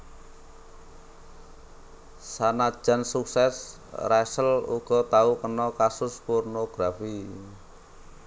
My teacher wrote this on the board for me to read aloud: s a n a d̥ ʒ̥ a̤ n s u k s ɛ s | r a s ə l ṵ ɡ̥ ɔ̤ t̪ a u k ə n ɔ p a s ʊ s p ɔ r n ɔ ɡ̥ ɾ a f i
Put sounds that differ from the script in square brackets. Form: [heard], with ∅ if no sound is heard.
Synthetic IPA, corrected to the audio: s a n a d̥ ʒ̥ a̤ n s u k s ɛ s | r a s ə l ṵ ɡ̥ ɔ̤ t̪ a u k ə n ɔ [k] a s ʊ s p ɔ r n [o] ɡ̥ ɾ a f i